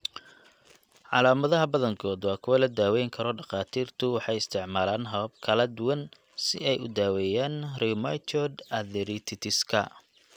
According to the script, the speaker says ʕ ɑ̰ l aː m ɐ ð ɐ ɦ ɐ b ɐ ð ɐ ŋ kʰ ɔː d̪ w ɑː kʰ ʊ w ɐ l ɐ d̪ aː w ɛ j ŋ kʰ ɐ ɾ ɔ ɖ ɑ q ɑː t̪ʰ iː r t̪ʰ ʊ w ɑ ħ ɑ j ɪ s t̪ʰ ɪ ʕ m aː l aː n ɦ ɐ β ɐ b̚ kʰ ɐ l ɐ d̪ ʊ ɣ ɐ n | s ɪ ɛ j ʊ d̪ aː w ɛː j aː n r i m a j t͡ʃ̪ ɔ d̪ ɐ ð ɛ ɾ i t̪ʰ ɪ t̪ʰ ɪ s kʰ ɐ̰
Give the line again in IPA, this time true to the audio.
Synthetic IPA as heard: ʕ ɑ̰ l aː m ɐ ð ɐ ɦ ɐ b ɐ ð ɐ ŋ kʰ ɔː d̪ w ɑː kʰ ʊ w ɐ l ɐ d̪ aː w ɛ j ŋ kʰ ɐ ɾ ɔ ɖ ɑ q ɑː t̪ʰ iː r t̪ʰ ʊ w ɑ ħ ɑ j ɪ s t̪ʰ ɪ ʕ m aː l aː n ɦ ɐ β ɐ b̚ kʰ ɐ l ɐ d̪ ʊ w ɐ n | s ɪ ɛ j ʊ d̪ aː w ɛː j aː n r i m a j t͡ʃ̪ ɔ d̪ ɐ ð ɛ ɾ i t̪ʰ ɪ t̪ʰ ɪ s kʰ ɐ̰